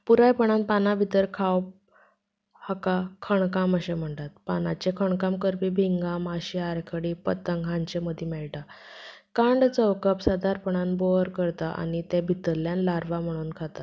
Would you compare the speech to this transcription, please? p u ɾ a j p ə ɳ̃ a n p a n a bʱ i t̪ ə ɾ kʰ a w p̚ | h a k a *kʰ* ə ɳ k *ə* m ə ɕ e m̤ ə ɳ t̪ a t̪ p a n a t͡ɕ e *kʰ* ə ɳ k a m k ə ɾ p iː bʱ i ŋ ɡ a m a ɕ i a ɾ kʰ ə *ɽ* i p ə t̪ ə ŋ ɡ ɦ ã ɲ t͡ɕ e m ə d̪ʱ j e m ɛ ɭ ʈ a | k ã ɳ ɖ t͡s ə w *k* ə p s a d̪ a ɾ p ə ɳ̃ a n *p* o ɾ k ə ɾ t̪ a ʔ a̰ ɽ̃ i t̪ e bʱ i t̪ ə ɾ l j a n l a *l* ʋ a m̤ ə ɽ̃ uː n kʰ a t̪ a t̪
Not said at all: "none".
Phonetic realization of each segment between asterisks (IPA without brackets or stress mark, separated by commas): kʰ, a, kʰ, ɽ, k, b, ɾ